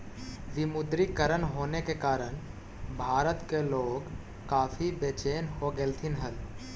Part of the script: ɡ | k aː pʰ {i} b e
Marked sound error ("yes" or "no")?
no